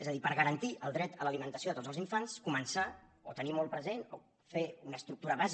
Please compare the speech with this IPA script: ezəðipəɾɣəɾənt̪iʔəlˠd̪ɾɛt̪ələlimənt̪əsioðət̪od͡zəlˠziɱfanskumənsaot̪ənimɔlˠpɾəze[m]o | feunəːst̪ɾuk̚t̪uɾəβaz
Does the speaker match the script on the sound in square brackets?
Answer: no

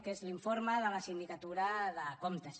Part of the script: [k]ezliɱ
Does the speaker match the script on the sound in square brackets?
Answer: yes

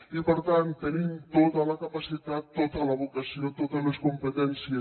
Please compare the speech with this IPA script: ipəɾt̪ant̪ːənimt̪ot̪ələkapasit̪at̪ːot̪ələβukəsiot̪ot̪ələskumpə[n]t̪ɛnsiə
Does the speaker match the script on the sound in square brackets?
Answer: no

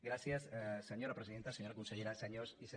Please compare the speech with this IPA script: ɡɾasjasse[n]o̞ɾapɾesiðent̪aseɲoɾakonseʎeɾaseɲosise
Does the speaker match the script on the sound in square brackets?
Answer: no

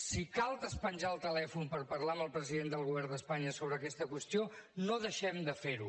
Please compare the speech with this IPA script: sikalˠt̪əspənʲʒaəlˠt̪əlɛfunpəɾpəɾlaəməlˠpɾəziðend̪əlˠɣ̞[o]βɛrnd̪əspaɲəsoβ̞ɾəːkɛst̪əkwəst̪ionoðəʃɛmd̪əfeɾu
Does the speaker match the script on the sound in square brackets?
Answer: no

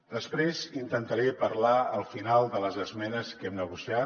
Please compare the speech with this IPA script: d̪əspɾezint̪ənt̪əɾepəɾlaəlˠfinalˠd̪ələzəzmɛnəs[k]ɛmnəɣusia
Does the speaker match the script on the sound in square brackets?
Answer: yes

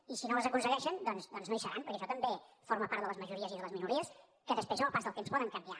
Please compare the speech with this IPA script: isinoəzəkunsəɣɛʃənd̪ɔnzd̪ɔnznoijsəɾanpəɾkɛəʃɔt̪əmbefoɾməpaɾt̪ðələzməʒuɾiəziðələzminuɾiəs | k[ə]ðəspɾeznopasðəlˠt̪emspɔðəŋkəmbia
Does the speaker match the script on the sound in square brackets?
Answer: yes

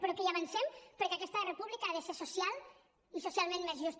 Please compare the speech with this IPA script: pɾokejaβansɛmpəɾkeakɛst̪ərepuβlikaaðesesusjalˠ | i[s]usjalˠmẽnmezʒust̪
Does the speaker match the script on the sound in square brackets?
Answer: yes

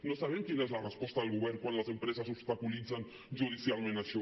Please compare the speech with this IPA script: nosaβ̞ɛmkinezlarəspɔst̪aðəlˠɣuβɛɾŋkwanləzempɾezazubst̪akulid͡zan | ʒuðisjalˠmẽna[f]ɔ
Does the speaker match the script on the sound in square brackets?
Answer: no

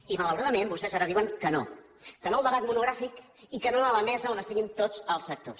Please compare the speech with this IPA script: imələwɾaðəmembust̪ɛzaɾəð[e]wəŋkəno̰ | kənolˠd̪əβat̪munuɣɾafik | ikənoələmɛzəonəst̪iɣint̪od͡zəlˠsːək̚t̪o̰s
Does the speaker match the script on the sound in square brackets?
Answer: no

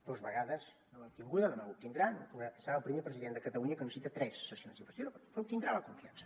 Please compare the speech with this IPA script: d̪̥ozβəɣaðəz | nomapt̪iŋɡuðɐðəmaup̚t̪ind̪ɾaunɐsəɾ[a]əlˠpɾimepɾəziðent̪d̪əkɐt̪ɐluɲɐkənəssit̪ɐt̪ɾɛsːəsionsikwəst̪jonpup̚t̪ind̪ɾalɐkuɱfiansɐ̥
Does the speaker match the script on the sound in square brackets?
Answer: yes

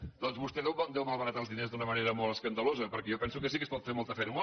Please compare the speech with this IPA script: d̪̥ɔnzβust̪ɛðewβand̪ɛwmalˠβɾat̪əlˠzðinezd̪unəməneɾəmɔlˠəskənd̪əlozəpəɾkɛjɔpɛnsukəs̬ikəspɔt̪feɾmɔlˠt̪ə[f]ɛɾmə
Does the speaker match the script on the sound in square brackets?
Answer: yes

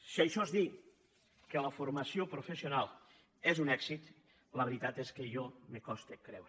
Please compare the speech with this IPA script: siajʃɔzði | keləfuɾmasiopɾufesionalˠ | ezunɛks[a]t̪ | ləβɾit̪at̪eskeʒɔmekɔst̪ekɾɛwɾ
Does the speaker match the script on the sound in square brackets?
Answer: no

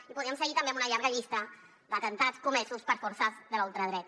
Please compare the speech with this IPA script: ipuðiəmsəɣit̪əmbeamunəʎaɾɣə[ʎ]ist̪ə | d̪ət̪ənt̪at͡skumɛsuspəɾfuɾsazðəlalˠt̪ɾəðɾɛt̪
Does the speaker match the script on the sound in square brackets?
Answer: yes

